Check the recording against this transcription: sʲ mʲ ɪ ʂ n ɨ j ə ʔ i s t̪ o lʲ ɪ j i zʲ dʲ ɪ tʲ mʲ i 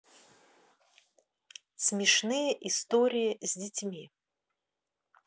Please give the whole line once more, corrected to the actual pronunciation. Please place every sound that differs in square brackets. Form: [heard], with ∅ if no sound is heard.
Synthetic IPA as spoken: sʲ mʲ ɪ ʂ n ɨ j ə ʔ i s t̪ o [ɾʲ] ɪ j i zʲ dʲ ɪ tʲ mʲ i